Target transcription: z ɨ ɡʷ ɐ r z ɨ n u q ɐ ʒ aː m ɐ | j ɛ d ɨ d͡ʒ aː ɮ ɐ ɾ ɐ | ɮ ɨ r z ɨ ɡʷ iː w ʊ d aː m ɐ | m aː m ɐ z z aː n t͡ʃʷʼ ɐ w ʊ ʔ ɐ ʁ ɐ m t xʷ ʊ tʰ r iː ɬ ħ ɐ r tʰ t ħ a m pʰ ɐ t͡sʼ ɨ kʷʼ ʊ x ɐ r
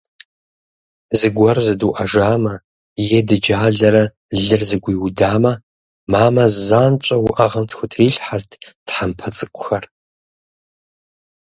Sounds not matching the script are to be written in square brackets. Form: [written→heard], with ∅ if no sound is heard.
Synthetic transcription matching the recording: z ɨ ɡʷ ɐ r z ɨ [n→d] u [q→ʔ] ɐ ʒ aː m ɐ | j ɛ d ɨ d͡ʒ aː ɮ ɐ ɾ ɐ | ɮ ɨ r z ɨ ɡʷ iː w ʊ d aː m ɐ | m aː m ɐ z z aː n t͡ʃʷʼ ɐ w ʊ ʔ ɐ ʁ ɐ m t xʷ ʊ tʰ r iː ɬ ħ [ɐ→a] r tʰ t ħ a m pʰ ɐ t͡sʼ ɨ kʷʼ ʊ x ɐ r